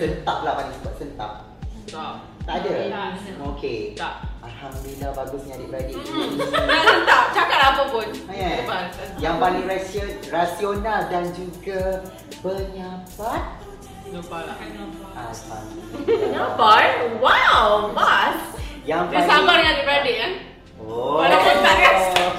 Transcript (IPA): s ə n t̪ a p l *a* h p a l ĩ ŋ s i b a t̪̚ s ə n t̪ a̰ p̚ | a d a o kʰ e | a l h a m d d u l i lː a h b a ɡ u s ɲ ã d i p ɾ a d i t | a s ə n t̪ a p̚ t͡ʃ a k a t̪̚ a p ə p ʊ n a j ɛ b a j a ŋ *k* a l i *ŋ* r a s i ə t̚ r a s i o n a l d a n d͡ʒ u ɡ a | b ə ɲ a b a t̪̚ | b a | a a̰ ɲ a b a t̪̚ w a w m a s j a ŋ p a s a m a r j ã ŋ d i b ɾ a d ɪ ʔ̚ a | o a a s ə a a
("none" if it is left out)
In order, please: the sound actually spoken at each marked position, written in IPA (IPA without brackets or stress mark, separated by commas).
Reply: a, p, ŋ